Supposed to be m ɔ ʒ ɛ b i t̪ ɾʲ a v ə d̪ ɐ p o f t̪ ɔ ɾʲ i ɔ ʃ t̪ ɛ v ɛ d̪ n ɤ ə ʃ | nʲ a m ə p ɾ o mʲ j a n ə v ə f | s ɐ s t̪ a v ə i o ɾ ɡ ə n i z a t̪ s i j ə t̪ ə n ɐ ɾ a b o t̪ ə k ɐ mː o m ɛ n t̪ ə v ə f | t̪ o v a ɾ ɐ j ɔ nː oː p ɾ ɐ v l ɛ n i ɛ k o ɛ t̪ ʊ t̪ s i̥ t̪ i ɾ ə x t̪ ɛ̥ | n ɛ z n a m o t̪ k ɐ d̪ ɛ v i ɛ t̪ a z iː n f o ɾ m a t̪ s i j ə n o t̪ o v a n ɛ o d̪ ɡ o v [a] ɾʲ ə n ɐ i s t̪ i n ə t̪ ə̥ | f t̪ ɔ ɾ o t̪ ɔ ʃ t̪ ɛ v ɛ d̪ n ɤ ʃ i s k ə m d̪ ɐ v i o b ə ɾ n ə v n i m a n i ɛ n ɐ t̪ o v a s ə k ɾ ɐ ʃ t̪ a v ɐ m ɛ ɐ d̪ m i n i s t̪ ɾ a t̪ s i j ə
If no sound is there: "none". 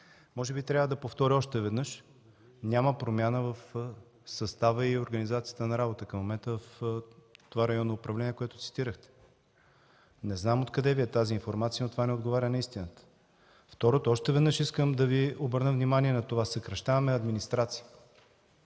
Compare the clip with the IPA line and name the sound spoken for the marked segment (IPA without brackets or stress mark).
a